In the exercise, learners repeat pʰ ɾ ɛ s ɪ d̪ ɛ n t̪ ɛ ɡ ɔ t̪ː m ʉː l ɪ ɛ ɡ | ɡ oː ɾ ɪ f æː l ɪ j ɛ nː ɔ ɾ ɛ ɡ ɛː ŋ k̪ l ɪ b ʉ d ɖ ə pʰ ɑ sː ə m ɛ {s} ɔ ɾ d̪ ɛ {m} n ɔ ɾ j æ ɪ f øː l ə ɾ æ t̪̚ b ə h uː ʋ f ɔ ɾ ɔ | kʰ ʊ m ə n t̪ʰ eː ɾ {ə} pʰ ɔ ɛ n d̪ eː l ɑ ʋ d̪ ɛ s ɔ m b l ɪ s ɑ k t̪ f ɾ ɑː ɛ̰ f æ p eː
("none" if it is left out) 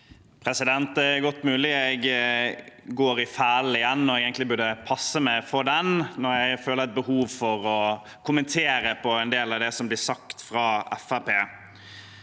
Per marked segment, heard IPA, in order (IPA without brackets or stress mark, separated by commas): f, n, ə